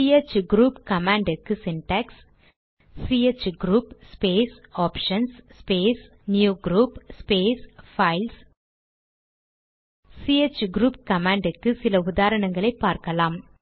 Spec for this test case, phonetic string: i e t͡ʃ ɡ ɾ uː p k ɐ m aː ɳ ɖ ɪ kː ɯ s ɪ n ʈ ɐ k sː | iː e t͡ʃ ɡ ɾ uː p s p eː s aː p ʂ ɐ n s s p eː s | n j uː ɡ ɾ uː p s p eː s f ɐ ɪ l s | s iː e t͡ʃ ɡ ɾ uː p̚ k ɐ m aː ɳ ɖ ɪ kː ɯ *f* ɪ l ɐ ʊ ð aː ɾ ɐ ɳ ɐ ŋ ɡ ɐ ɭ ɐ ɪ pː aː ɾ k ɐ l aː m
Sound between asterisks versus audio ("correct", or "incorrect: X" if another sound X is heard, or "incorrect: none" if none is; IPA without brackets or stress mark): incorrect: s